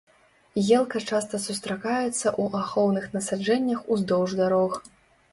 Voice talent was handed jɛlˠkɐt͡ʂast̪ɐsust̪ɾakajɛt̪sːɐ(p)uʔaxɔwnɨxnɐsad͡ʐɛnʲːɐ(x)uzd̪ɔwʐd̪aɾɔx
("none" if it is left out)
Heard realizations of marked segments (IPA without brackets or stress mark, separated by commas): ʔ, x